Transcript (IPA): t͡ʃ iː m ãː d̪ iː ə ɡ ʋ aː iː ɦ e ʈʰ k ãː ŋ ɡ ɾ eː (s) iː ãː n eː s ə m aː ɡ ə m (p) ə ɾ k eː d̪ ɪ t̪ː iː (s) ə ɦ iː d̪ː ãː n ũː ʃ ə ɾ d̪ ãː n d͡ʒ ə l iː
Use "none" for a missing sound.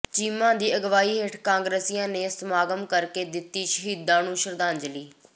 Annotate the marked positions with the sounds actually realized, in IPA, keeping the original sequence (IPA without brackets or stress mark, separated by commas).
s, k, ʃ